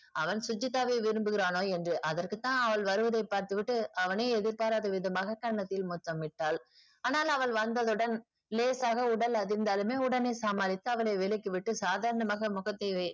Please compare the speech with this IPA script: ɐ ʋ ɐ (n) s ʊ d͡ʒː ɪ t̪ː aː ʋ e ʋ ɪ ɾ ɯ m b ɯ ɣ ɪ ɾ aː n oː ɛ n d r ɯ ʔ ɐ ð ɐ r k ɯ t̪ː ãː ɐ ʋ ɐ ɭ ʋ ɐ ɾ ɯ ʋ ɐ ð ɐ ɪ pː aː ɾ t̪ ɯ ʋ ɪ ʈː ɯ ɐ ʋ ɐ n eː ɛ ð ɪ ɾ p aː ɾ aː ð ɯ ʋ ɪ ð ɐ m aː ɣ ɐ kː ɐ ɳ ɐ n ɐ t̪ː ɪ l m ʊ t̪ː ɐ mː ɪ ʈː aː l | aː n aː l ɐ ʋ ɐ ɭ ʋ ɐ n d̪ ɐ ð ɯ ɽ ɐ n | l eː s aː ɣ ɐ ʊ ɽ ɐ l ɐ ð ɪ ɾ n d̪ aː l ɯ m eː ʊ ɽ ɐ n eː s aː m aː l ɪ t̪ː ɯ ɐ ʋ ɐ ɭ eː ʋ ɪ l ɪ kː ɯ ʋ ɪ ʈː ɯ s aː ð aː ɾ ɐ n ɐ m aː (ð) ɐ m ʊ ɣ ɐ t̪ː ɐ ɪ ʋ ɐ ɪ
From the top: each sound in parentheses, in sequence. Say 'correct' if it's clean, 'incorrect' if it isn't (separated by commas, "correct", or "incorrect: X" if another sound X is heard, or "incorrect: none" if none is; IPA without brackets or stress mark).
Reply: correct, incorrect: ɣ